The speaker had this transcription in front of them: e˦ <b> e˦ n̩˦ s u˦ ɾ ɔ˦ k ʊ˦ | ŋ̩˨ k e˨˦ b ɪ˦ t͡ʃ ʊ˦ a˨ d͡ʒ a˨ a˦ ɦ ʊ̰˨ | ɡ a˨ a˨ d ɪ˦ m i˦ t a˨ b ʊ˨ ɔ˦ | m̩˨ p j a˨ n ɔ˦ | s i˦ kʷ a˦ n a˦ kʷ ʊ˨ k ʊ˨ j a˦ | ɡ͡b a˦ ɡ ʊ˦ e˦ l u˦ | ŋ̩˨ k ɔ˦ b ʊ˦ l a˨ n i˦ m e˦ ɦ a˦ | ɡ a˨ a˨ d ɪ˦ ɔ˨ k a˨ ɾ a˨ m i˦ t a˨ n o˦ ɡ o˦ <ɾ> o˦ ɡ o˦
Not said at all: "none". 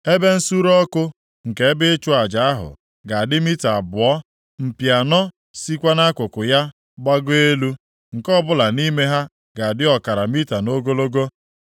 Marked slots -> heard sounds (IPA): b, l

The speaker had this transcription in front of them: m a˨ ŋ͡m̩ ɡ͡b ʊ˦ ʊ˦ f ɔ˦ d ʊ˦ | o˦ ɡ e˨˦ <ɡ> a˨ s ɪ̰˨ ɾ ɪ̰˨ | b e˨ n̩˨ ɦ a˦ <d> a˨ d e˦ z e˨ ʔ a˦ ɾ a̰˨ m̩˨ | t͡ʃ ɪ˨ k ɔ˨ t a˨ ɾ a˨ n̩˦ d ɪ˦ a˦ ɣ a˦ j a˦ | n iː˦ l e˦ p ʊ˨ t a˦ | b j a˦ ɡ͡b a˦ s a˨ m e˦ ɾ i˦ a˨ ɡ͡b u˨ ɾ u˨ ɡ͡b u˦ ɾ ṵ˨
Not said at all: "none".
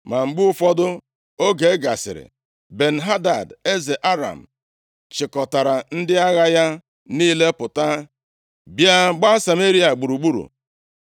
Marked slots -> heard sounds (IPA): ɡ, d

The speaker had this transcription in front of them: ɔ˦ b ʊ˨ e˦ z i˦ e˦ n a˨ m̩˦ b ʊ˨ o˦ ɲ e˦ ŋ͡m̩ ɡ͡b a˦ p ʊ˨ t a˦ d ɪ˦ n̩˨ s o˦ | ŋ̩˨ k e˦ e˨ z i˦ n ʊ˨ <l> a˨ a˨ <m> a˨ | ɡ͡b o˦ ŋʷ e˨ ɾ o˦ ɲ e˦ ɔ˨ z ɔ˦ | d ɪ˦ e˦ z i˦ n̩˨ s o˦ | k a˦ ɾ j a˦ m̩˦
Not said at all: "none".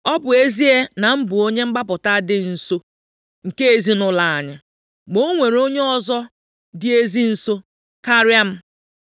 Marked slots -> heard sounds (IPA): l, ɲ

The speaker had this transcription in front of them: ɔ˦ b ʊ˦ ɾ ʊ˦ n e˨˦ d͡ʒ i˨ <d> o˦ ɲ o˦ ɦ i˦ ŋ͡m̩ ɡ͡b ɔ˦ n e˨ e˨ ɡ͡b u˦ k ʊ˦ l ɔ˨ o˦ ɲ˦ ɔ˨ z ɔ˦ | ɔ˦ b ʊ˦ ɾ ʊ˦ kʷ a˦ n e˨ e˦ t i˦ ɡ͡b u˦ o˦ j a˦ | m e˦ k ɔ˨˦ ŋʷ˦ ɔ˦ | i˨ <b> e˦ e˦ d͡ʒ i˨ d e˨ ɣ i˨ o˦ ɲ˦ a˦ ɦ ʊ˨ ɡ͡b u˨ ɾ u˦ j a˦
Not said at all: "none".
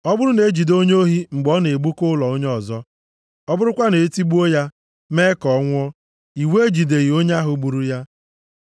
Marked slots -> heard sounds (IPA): d, w

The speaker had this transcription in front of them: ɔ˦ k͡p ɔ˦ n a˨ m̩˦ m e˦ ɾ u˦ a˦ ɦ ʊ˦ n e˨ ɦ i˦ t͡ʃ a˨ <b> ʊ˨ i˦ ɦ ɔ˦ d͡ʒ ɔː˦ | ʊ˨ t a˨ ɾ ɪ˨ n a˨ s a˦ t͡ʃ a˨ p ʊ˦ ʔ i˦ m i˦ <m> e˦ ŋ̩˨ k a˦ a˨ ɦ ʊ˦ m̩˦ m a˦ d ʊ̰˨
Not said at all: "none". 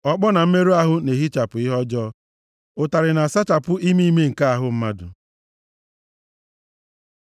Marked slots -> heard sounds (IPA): p, m

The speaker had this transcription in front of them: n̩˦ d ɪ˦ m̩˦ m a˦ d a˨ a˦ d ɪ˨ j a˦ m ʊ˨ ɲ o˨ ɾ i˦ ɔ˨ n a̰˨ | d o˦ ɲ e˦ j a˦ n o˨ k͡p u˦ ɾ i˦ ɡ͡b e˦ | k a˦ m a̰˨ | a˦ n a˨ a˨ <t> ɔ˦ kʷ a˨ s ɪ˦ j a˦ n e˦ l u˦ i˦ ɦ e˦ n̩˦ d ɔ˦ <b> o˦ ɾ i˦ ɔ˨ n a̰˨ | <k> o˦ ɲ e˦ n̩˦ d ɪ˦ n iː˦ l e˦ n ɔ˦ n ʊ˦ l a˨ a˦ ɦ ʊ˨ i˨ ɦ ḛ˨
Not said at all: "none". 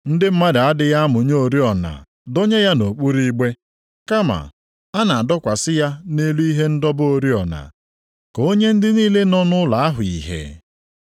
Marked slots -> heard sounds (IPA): d, b, k

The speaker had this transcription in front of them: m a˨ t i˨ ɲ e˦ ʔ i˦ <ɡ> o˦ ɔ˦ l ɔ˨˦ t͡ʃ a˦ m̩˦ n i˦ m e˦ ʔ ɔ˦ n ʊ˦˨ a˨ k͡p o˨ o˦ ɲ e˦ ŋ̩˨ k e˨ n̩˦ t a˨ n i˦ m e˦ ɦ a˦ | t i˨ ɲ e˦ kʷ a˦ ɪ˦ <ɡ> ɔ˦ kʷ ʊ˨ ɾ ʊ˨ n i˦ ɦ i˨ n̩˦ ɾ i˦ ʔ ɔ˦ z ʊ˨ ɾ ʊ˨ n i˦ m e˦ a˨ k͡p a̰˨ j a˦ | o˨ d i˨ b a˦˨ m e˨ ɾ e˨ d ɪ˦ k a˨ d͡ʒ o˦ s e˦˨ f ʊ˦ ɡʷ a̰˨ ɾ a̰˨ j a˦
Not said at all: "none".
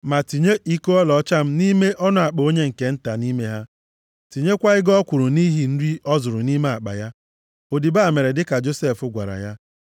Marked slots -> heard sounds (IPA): k, ɡ

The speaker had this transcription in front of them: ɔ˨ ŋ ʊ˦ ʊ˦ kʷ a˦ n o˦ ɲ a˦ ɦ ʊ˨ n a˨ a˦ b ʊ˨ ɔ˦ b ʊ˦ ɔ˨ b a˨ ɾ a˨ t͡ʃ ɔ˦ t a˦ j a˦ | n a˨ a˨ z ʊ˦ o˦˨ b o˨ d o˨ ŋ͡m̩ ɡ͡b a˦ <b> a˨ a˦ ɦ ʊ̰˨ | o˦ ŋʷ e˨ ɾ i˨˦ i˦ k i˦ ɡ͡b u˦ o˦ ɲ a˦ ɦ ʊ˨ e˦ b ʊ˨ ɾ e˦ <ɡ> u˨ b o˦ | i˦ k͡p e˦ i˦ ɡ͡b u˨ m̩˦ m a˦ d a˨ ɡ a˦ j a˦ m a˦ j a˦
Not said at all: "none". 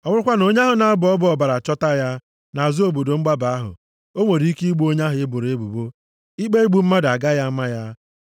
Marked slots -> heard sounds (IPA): b, b

